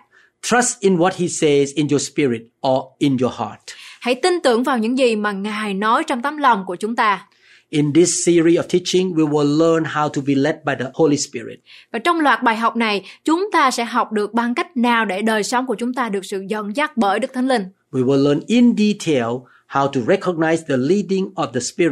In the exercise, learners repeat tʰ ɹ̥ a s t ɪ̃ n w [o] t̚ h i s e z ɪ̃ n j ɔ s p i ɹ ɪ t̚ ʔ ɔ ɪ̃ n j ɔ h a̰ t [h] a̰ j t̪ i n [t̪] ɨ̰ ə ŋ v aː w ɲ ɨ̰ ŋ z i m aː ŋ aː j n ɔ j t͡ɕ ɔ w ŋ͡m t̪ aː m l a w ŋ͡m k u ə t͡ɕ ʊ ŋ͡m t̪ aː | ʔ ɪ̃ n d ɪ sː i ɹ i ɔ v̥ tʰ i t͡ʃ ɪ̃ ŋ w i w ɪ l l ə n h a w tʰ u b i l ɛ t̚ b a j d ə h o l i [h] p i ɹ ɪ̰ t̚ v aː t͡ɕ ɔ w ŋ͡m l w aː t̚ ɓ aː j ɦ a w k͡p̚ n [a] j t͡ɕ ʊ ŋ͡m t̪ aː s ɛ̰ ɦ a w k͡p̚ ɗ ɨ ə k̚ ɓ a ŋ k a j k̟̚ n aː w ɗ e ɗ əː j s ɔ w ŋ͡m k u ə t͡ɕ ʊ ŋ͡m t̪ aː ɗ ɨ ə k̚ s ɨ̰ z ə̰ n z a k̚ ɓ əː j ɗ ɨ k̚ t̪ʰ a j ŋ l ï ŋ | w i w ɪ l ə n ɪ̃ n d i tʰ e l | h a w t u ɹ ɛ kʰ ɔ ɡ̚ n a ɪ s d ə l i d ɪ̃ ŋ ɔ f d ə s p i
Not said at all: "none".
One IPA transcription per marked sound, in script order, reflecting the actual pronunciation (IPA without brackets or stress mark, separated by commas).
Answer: ɔ, h, t̪, s, a